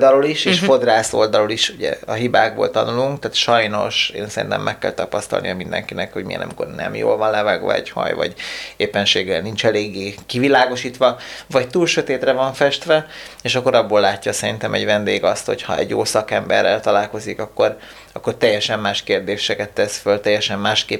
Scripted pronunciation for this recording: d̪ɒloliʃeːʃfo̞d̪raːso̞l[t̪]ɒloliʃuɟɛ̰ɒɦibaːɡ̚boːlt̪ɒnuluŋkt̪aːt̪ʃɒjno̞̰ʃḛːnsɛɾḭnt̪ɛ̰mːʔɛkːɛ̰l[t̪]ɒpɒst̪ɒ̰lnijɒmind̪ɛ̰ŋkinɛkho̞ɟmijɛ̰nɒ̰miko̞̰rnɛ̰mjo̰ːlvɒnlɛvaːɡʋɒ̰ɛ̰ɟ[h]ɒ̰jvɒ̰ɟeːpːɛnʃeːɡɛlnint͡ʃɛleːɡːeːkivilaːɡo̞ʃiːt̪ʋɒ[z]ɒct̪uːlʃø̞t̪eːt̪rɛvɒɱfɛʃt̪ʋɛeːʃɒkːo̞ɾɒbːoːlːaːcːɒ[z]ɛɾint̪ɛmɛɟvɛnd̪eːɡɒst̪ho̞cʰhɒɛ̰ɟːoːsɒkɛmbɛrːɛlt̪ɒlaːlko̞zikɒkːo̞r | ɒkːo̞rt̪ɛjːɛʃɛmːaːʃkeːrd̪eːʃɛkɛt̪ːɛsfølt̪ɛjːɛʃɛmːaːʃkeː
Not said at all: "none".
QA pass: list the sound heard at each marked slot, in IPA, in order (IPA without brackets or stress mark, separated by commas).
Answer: d̪, t̪, h, v, s